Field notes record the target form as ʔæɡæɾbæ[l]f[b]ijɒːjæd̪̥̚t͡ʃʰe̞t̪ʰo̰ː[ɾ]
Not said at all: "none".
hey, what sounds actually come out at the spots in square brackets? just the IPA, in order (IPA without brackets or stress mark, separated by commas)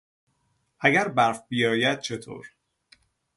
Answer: ɾ, b, ɾ